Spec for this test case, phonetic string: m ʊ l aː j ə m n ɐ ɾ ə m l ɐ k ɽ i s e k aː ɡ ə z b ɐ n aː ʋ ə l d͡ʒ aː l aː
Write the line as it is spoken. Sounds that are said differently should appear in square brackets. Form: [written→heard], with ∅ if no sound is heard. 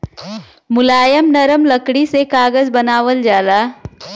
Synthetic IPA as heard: m ʊ l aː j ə m n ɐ ɾ ə m l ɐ k ɽ i s e k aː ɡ ə z b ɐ n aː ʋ ə l d͡ʒ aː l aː